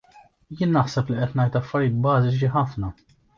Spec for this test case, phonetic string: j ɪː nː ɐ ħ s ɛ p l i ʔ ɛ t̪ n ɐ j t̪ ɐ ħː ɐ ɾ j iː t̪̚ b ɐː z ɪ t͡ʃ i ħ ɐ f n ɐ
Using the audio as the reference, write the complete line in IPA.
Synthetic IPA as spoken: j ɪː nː ɐ ħ s ɛ p l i ʔ ɛ t̪ n ɐ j t̪ ɐ fː ɐ ɾ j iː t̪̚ b ɐː z ɪ t͡ʃ i ħ ɐ f n ɐ